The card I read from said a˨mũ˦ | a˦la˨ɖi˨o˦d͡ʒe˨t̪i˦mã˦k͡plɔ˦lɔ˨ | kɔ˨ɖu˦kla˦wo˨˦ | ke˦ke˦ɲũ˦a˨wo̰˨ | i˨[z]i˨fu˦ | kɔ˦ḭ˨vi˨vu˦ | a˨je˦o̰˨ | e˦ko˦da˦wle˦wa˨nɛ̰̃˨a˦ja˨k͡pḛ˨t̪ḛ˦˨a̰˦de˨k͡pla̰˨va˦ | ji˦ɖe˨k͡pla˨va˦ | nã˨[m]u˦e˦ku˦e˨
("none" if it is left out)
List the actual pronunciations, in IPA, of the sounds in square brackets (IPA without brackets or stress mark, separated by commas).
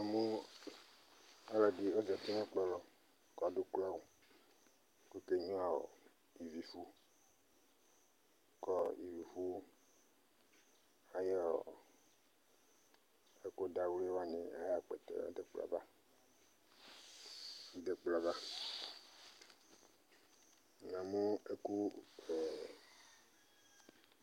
v, m